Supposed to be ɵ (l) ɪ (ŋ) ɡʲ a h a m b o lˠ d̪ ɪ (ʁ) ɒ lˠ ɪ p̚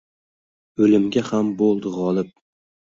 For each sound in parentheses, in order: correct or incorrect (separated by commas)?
correct, incorrect, correct